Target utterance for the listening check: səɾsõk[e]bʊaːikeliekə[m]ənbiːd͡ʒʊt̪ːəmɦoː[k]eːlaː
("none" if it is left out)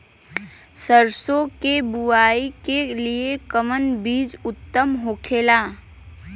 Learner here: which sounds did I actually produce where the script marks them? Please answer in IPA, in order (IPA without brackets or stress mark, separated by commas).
e, m, kʰ